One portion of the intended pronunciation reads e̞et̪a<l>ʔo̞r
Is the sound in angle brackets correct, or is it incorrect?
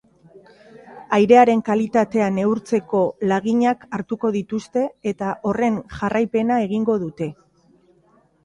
incorrect